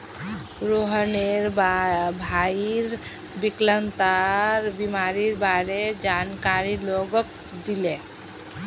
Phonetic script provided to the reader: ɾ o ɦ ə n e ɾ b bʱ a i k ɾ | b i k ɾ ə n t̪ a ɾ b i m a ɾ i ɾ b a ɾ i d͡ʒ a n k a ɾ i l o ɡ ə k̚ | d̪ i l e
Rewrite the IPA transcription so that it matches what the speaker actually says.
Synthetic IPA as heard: ɾ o ɦ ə n e ɾ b bʱ a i ɾ | b i k l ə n t̪ a ɾ b i m a ɾ i ɾ b a ɾ e d͡ʒ a n k a ɾ i l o ɡ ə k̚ | d̪ i l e